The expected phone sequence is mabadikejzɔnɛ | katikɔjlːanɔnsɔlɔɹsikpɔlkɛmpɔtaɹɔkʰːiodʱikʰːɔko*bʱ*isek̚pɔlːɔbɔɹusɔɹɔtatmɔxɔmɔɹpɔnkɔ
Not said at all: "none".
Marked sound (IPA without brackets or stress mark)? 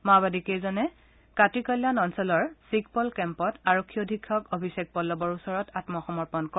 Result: bʱ